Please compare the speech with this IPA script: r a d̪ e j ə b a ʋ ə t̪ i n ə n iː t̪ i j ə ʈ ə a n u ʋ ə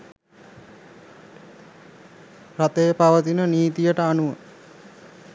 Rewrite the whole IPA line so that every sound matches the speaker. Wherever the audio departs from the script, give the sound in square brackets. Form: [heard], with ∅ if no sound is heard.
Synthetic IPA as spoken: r a [t̪] e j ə [p] a ʋ ə t̪ i n ə n iː t̪ i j ə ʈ ə a n u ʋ ə